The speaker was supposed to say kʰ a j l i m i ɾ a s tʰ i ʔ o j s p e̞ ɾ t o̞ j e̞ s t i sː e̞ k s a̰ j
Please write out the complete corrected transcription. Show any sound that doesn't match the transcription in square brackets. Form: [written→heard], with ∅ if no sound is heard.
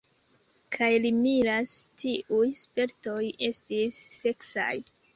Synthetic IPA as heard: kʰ a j l i m i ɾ a s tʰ i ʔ [o→u] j s p e̞ ɾ t o̞ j e̞ s t i sː e̞ k s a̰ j